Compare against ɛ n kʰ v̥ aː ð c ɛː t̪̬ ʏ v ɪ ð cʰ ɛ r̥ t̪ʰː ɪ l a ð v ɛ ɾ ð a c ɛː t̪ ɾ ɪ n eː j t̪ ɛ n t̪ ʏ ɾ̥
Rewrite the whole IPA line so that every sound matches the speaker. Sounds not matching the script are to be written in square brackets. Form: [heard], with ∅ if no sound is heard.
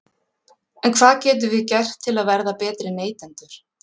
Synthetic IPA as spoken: ɛ n kʰ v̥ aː ð c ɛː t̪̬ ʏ v ɪ ð [c] ɛ r̥ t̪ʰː ɪ l a ð v ɛ ɾ ð a [p] ɛː t̪ ɾ ɪ n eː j t̪ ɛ n t̪ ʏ ɾ̥